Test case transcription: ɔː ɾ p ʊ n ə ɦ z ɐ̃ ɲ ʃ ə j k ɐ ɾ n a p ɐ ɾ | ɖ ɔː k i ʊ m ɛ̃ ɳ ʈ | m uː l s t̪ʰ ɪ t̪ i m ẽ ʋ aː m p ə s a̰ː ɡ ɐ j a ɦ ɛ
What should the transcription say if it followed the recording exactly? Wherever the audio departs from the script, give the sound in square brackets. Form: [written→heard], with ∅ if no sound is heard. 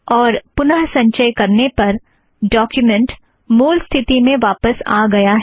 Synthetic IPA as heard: ɔː ɾ p ʊ n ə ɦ [z→s] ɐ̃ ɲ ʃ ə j k ɐ ɾ n [a→e] p ɐ ɾ | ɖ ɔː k [i→j] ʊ m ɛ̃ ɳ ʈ | m uː l s t̪ʰ ɪ t̪ i m ẽ ʋ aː [m→∅] p ə s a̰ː ɡ ɐ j a ɦ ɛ